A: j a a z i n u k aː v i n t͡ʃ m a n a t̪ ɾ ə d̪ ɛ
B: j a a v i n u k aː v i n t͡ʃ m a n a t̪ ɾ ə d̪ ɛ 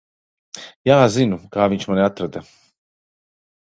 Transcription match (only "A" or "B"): A